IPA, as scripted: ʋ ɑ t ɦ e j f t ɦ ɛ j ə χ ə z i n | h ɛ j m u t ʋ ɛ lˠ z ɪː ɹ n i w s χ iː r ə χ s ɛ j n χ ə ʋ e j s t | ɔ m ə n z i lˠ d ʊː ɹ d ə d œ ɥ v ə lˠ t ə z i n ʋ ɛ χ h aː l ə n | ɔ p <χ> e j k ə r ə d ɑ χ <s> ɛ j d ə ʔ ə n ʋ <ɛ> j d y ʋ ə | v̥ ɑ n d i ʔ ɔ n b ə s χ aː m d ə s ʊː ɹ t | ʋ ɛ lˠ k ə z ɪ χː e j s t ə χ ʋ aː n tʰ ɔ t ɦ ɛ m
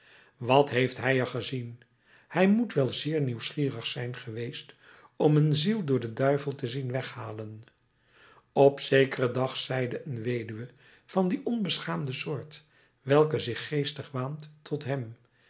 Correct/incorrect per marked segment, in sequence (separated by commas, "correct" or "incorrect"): incorrect, correct, incorrect